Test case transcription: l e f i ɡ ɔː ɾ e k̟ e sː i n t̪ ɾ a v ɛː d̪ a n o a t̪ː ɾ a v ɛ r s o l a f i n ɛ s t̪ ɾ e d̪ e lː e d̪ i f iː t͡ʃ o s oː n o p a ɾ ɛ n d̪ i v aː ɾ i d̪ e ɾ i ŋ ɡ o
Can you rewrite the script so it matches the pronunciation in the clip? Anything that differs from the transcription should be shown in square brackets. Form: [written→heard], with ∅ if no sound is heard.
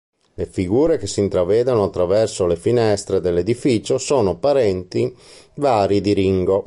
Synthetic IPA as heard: l e f i ɡ [ɔː→uː] ɾ e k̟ e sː i n t̪ ɾ a v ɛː d̪ a n o a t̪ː ɾ a v ɛ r s o l [a→e] f i n ɛ s t̪ ɾ e d̪ e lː e d̪ i f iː t͡ʃ o s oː n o p a ɾ ɛ n [d̪→t̪] i v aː ɾ i d̪ [e→i] ɾ i ŋ ɡ o